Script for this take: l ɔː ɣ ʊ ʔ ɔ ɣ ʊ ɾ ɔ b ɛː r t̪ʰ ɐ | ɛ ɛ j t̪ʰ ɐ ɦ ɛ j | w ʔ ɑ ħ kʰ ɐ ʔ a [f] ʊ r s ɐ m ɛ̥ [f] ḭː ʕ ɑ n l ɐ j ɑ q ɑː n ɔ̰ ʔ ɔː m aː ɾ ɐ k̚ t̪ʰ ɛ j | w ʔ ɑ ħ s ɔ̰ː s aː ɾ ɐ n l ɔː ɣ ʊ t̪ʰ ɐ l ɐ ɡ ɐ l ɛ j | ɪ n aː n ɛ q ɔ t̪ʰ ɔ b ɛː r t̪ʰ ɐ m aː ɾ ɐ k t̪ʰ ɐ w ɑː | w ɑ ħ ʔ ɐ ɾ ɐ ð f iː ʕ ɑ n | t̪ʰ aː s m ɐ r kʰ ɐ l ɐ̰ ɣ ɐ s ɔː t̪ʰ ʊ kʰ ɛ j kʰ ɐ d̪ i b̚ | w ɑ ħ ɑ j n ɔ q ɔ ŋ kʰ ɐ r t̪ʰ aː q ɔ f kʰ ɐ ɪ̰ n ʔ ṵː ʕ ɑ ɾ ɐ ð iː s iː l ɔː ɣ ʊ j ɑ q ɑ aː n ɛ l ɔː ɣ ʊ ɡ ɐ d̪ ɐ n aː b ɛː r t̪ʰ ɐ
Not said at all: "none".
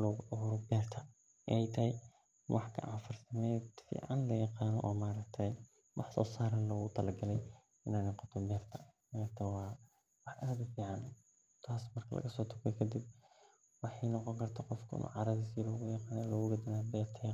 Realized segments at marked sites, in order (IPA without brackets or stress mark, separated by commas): f, f